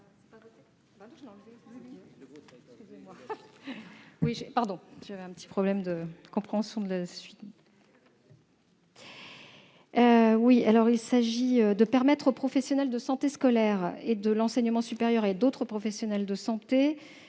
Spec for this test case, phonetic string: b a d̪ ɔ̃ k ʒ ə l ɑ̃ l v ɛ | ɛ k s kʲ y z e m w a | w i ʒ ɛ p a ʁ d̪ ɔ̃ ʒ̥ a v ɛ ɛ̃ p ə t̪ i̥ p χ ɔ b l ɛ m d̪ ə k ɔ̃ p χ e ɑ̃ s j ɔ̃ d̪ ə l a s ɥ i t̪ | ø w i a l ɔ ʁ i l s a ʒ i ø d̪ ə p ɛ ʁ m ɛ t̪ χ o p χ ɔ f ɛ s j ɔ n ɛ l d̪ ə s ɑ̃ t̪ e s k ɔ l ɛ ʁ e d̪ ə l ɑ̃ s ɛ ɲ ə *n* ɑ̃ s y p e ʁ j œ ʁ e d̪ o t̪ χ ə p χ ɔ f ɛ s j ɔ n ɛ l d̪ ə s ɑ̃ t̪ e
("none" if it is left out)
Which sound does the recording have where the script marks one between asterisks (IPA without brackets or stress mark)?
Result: m